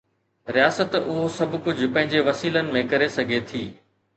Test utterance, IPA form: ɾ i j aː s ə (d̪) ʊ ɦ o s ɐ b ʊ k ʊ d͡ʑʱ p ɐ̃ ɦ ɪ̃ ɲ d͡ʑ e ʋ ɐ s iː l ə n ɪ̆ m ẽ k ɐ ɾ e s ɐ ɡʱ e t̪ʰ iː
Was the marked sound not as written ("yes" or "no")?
yes